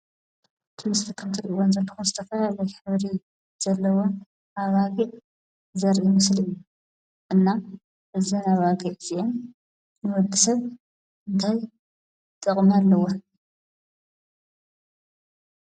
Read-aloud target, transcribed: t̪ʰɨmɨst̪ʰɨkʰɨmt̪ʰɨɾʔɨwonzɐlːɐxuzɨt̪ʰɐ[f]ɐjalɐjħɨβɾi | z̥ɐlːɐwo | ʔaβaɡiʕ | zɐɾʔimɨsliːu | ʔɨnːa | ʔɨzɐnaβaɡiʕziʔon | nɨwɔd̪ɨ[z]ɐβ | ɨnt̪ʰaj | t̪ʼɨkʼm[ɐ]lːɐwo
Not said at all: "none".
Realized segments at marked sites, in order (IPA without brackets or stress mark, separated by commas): f, s, a